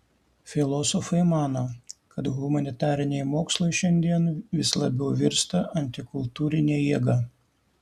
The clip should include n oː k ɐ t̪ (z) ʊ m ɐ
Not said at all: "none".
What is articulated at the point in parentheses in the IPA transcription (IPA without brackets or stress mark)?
ɣ